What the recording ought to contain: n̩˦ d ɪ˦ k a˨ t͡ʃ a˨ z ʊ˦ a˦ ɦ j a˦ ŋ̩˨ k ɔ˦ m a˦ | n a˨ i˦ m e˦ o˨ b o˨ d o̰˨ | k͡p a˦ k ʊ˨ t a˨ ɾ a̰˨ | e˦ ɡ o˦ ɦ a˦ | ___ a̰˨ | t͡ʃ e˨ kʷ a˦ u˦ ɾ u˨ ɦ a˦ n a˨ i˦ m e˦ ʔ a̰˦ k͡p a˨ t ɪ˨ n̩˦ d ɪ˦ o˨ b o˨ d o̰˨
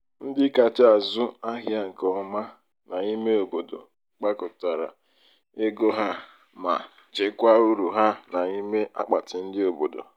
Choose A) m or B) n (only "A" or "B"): A